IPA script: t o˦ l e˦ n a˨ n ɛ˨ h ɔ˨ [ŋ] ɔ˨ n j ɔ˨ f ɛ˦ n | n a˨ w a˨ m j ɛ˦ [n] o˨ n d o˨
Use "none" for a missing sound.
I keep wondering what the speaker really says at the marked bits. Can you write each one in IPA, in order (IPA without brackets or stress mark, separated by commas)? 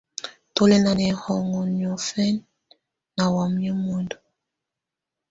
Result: ŋ, m